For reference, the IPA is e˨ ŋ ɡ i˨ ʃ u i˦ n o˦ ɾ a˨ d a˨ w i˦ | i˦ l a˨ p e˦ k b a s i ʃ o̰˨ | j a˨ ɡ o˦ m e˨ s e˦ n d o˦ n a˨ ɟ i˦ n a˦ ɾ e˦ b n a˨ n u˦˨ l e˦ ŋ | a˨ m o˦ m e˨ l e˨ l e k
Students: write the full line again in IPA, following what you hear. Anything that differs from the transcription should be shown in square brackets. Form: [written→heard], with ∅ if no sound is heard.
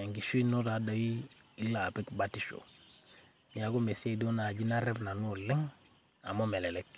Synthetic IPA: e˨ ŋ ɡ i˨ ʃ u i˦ n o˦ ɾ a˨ d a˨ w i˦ | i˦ l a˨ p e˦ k b a [s→t] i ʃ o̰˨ | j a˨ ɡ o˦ m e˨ s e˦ [n→∅] d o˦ n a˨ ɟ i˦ n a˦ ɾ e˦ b n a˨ n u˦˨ l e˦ ŋ | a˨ m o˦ m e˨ l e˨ l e k